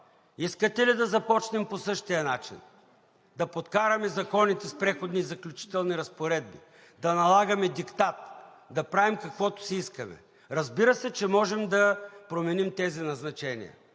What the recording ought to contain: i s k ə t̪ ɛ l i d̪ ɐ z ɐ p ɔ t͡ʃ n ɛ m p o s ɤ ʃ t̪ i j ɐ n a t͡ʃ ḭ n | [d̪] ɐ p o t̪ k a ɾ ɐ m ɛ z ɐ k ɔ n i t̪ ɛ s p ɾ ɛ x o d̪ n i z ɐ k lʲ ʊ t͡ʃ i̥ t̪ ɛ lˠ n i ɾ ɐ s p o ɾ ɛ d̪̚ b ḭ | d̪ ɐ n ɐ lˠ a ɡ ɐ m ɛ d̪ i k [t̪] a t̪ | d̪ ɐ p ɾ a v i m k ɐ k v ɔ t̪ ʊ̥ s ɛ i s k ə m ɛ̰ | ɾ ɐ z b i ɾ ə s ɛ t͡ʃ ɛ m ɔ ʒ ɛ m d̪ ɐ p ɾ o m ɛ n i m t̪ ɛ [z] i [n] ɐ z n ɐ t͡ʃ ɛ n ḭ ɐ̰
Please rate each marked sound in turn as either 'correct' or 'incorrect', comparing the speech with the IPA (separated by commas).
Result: correct, correct, correct, correct